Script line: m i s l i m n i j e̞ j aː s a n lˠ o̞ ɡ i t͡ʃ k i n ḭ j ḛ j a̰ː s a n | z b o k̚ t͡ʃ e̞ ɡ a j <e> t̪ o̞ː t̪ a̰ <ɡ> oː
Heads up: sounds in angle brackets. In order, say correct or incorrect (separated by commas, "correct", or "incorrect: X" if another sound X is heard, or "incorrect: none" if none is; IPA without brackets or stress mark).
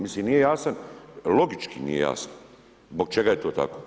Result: correct, incorrect: k